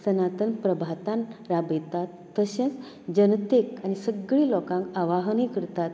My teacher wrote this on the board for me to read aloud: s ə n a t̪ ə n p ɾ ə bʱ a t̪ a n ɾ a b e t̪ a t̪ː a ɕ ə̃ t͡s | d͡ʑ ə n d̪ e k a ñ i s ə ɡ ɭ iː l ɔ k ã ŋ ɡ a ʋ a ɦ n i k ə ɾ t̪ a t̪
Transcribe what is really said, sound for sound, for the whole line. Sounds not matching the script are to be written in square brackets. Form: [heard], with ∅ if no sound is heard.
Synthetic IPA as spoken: s ə n a t̪ ə n p ɾ ə bʱ a t̪ a n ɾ a b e t̪ a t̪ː [ə] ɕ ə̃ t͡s | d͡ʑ ə n [t̪] e k a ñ i s ə ɡ ɭ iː l ɔ k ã ŋ [k] a ʋ a ɦ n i k ə ɾ t̪ a t̪